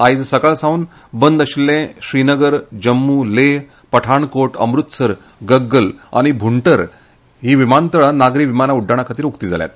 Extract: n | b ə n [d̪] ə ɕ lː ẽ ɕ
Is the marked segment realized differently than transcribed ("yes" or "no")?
no